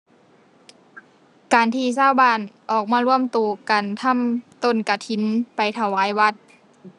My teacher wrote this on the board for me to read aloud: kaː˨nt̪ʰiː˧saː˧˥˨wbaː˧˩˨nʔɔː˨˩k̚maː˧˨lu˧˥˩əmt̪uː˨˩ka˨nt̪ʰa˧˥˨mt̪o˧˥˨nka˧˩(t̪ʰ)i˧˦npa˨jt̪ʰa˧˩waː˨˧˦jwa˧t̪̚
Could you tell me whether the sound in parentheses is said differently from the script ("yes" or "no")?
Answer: no